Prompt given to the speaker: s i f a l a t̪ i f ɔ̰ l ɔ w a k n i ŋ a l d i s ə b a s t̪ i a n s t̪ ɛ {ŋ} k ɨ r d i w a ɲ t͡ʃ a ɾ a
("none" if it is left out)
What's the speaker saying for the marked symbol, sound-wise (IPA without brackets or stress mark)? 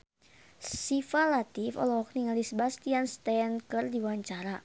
n